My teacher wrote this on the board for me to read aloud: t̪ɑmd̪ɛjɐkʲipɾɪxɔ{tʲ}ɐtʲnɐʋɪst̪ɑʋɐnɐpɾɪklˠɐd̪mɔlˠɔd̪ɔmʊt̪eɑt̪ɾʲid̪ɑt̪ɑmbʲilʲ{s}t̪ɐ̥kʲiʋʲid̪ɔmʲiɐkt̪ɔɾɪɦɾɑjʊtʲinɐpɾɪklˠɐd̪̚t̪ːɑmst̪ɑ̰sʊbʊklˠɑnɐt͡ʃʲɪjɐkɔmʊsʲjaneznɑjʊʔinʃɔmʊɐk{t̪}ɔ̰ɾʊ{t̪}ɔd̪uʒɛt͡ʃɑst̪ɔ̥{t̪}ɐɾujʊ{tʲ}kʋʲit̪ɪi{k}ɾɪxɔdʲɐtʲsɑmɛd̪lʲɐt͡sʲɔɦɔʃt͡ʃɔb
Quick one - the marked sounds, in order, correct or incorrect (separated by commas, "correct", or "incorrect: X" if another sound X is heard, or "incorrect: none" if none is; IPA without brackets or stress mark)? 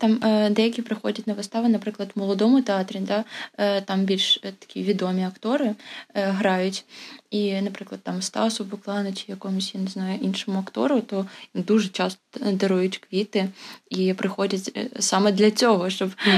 incorrect: dʲ, incorrect: ʃ, correct, correct, incorrect: d̪, correct, incorrect: p